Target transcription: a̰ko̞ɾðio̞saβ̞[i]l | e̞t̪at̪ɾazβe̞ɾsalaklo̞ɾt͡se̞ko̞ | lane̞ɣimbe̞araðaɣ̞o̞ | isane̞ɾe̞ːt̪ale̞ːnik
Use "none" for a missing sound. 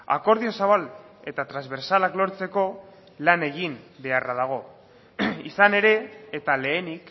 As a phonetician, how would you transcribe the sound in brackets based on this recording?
a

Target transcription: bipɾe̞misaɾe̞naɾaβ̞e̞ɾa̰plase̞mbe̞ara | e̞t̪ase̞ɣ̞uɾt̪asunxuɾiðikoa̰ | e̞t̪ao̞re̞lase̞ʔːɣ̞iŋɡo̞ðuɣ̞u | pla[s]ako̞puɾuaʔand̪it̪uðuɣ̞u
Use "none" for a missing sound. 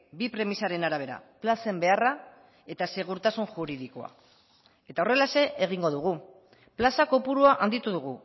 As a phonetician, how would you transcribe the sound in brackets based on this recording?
s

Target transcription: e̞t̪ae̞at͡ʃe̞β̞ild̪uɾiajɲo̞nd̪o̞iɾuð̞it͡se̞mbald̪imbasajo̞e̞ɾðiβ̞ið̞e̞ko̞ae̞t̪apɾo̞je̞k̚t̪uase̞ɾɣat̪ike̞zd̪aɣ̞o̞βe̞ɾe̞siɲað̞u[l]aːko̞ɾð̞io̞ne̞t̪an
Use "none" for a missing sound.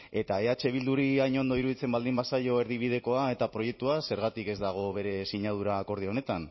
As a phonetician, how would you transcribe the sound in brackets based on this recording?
ɾ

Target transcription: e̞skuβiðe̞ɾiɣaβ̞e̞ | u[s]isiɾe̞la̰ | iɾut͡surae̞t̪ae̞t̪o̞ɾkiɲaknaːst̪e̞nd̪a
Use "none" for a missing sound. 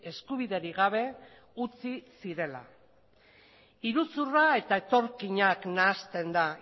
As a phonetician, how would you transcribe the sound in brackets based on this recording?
t͡s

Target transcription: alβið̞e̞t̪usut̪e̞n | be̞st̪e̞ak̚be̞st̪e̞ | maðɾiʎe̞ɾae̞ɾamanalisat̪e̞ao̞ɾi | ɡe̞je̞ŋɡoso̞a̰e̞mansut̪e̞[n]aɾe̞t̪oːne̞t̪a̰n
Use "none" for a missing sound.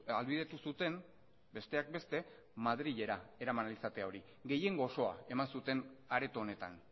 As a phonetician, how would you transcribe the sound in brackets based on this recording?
n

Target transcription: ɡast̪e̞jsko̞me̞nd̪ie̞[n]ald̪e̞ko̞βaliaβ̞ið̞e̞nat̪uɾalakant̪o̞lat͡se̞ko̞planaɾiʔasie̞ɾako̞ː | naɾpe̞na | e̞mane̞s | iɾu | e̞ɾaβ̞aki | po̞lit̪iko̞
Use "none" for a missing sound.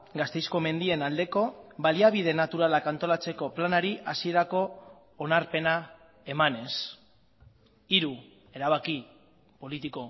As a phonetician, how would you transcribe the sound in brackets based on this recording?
n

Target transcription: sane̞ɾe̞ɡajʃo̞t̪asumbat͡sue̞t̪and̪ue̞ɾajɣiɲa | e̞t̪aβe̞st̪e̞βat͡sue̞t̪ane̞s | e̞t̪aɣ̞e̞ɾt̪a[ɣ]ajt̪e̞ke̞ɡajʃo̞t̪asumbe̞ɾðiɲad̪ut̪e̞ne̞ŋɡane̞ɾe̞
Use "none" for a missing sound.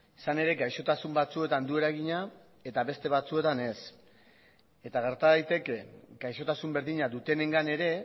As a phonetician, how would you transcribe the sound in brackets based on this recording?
ð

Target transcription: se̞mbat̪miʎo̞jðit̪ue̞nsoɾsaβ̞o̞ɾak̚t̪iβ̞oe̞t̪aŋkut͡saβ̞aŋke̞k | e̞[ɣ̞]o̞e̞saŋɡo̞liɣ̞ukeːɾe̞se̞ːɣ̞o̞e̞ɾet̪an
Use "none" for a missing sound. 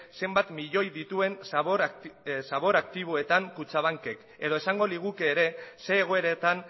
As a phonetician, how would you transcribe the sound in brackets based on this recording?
ð̞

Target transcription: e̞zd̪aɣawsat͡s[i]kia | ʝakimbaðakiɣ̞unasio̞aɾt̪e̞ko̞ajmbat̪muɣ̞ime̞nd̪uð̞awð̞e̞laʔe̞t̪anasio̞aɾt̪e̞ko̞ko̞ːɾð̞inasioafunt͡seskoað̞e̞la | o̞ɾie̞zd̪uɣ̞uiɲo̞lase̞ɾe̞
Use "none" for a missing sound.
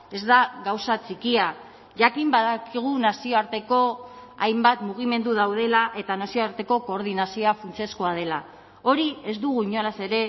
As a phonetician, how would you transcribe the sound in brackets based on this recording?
i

